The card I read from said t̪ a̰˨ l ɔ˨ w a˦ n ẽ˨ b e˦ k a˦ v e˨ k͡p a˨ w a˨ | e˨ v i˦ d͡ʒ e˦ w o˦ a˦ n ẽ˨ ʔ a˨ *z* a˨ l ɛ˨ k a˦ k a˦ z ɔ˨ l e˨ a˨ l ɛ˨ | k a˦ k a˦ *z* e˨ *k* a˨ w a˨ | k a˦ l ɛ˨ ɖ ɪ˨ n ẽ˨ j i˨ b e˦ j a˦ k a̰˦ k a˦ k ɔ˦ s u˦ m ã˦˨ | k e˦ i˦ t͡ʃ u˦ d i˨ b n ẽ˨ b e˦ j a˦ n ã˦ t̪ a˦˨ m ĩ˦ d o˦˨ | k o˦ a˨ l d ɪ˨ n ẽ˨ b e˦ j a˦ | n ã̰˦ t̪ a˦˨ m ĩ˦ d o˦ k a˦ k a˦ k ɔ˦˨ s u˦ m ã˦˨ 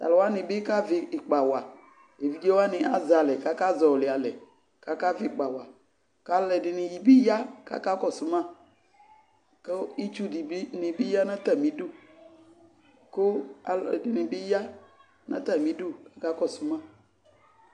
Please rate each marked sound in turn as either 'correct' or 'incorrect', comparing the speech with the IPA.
correct, incorrect: v, incorrect: k͡p

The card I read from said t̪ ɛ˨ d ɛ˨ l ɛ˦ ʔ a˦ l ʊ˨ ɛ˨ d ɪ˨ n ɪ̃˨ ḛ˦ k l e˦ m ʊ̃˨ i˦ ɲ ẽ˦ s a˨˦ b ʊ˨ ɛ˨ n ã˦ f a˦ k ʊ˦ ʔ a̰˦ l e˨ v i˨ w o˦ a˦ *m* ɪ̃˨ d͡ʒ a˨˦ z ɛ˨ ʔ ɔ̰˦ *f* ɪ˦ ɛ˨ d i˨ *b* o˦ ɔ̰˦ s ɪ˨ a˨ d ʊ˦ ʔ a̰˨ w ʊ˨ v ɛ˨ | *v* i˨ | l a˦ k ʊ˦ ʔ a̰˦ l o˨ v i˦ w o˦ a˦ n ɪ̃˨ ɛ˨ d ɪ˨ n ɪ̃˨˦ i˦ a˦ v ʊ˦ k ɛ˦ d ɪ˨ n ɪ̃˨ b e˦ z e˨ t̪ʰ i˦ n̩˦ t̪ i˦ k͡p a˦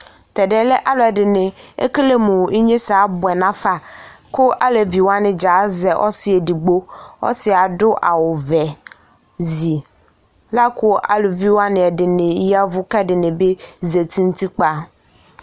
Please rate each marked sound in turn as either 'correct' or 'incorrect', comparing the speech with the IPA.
incorrect: n, incorrect: s, incorrect: ɡ͡b, incorrect: z

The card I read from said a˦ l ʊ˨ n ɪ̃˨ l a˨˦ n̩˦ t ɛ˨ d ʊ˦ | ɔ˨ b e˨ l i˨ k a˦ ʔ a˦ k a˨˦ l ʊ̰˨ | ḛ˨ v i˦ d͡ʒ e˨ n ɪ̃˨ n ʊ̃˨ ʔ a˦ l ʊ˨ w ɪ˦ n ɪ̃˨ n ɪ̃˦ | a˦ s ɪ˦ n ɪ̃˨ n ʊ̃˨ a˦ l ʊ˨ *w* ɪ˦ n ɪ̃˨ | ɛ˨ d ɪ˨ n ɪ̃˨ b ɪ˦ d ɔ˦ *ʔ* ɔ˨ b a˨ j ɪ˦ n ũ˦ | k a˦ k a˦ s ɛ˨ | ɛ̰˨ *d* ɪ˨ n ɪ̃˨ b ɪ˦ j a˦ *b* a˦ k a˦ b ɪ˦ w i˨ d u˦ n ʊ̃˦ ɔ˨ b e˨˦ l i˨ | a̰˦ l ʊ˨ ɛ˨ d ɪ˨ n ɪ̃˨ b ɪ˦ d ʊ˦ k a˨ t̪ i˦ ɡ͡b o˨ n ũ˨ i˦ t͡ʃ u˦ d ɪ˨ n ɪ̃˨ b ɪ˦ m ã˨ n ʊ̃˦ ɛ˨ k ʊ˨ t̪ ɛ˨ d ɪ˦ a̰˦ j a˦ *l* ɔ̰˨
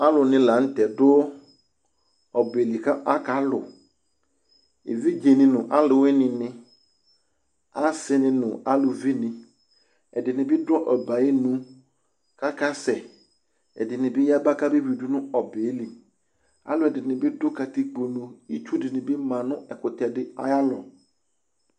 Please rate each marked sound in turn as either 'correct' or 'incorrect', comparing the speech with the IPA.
incorrect: v, correct, correct, correct, correct

